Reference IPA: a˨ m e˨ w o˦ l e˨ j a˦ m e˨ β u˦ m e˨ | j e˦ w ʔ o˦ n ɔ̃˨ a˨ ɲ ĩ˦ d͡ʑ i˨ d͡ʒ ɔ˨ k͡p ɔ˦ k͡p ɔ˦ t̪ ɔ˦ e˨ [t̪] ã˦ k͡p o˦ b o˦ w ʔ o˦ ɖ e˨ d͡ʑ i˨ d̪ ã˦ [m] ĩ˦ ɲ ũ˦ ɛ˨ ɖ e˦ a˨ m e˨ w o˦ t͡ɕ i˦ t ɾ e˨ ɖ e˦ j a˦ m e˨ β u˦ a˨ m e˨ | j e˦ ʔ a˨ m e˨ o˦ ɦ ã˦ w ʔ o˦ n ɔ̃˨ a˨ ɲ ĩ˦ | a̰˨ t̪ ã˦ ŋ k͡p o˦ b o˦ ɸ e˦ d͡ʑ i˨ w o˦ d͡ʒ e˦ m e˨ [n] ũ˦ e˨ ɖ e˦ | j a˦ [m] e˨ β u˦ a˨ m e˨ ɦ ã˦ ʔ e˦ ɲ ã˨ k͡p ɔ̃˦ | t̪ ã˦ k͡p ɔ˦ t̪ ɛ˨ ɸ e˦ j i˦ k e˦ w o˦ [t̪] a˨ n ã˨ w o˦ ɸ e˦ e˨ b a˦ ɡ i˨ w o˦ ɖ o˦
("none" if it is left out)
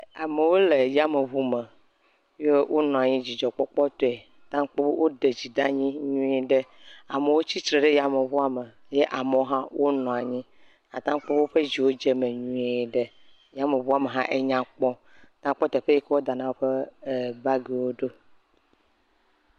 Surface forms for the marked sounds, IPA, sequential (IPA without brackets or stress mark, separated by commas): t̪, ɲ, ɲ, m, d̪